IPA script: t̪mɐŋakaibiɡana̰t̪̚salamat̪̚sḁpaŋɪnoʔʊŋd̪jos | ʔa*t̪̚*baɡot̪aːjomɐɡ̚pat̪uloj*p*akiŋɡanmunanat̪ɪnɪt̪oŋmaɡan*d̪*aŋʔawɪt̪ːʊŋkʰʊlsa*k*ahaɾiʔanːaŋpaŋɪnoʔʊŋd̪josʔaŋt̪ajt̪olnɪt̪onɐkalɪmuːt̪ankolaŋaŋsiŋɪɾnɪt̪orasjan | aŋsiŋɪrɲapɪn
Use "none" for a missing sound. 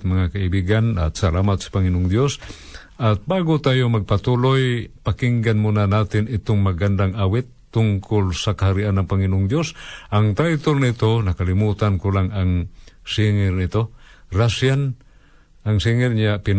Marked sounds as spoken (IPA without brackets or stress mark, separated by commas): t̪̚, p, d̪, k